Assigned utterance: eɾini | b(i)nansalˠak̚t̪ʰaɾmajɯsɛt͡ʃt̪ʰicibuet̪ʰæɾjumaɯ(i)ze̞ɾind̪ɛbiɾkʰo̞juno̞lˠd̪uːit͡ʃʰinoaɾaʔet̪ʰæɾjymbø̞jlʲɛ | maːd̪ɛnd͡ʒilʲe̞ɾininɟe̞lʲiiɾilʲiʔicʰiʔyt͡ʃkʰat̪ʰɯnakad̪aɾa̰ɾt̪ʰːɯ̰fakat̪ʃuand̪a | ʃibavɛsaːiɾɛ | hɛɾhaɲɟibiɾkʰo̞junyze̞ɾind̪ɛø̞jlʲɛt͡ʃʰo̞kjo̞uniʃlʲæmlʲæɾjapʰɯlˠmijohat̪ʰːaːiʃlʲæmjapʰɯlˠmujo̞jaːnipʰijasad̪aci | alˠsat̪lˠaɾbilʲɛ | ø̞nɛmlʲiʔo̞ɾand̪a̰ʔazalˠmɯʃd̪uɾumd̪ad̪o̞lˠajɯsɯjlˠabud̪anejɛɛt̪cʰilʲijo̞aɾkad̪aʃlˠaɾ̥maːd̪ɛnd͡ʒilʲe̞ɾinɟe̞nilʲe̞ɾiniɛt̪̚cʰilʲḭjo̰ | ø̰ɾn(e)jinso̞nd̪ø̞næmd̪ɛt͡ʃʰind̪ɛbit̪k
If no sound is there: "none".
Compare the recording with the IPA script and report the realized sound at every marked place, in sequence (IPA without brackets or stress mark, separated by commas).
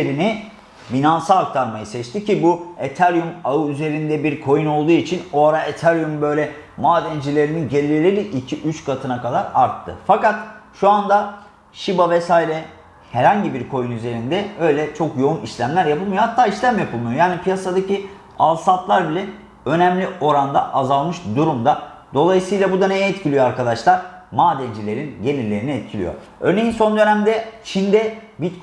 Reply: i, y, e